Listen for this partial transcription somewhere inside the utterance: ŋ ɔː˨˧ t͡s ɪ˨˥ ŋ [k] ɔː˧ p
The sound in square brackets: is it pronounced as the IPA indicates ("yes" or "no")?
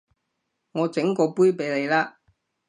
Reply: yes